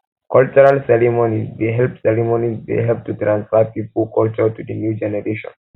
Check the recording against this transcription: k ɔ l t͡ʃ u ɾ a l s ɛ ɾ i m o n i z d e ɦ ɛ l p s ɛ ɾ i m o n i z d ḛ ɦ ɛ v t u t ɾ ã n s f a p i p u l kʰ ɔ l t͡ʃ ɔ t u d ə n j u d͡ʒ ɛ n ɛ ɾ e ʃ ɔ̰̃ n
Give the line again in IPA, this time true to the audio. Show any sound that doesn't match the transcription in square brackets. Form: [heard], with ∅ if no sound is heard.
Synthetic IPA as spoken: k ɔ l t͡ʃ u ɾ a l s ɛ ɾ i m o n i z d e ɦ ɛ l p s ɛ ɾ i m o n i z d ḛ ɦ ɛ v t u t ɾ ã n s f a p i p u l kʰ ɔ l t͡ʃ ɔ t u d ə n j u d͡ʒ ɛ n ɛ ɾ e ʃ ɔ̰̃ n